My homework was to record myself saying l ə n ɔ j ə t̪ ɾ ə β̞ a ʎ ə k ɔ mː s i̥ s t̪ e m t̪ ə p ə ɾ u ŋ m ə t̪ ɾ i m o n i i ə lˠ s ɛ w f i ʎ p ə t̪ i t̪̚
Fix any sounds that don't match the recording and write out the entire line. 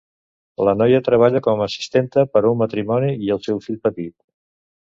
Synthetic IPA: l ə n ɔ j ə t̪ ɾ ə β̞ a ʎ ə k ɔ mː s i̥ s t̪ e n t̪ ə p ə ɾ u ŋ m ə t̪ ɾ i m ɔ n i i ə lˠ s ɛ w f i ʎ p ə t̪ i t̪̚